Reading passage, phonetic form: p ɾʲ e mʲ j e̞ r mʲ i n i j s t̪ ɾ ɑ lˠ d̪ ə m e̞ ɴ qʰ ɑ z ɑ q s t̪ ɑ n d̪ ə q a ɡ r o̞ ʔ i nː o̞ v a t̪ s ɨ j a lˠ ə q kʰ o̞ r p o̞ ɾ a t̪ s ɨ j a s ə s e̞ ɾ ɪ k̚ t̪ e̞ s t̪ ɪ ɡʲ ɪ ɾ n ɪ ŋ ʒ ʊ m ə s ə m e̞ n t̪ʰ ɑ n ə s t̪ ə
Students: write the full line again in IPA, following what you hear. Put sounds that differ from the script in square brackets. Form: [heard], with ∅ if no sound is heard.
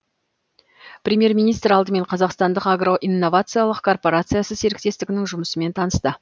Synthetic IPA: p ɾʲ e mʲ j e̞ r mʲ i n i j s t̪ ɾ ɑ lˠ d̪ ə m e̞ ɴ qʰ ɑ z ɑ q s t̪ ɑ n d̪ ə q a ɡ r o̞ ʔ i nː o̞ v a t̪ s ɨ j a lˠ ə q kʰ o̞ r p o̞ ɾ a t̪ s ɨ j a s ə s e̞ ɾ ɪ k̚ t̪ e̞ s t̪ ɪ ɡʲ ɪ [∅] n ɪ ŋ ʒ ʊ m ə s ə m e̞ n t̪ʰ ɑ n ə s t̪ ə